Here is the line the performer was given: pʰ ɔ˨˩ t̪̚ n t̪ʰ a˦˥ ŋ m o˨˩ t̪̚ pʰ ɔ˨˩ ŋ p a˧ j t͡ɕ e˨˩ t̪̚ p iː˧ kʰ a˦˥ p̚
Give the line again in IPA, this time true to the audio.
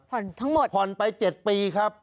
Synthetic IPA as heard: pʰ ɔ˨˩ n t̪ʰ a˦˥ ŋ m o˨˩ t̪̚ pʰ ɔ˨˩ n p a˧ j t͡ɕ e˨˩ t̪̚ p iː˧ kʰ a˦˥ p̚